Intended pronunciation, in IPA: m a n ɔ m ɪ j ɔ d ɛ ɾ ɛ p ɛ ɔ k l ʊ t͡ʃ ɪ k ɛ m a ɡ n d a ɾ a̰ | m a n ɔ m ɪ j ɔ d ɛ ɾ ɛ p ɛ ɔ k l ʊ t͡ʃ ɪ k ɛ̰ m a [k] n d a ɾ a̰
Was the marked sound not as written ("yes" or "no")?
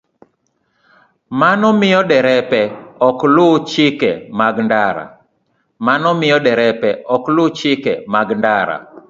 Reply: yes